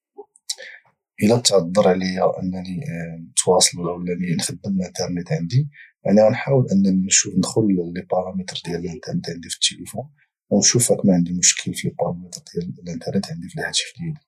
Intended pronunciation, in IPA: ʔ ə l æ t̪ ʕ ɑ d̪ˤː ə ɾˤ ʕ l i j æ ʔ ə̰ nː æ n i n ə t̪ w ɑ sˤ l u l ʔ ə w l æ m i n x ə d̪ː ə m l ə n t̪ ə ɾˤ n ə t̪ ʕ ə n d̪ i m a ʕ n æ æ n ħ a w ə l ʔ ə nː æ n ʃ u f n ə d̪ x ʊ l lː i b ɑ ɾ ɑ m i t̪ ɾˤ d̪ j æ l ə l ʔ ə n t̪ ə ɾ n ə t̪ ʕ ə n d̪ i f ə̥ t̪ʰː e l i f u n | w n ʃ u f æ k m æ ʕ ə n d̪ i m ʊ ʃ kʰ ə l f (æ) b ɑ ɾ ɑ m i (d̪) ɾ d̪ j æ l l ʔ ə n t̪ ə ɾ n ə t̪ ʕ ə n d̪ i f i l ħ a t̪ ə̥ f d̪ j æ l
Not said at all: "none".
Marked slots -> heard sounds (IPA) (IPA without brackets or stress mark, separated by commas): i, t̪